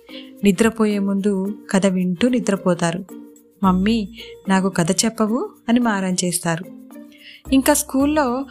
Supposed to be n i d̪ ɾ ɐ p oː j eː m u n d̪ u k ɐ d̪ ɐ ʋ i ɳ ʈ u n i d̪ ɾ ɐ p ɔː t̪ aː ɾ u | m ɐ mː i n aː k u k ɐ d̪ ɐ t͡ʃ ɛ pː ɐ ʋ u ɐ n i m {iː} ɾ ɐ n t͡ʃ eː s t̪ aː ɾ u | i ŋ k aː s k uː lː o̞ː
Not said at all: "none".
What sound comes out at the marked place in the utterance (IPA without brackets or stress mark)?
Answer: aː